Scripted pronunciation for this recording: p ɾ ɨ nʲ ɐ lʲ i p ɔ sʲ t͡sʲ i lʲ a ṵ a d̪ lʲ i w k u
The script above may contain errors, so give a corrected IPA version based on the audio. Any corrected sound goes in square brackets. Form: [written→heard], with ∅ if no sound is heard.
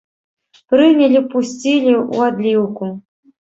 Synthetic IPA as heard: p ɾ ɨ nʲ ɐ lʲ i p [ɔ→u] sʲ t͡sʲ i lʲ [a→i] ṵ a d̪ lʲ i w k u